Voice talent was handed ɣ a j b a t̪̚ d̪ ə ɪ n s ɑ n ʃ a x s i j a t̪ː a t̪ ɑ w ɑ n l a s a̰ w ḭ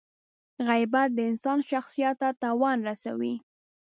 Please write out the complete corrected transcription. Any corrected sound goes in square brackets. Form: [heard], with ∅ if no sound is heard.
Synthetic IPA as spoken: ɣ a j b a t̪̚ d̪ ə ɪ n s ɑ n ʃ a x s i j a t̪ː a t̪ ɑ w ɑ n [ɾ] a s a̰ w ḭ